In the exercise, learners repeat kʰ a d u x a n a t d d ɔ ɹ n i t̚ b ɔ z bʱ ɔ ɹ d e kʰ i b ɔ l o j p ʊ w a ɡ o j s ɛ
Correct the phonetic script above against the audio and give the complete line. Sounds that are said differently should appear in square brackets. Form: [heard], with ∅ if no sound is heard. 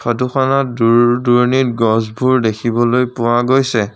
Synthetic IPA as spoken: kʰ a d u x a n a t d d [u] ɹ n i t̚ [ɡ] ɔ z bʱ [u] ɹ d e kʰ i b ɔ l o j p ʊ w a ɡ o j s ɛ